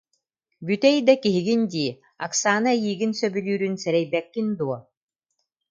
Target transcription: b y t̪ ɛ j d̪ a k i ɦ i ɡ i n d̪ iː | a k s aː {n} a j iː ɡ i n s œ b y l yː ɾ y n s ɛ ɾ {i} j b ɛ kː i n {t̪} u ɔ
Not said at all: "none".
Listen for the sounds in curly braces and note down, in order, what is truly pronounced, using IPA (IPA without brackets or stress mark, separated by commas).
n, ɛ, d̪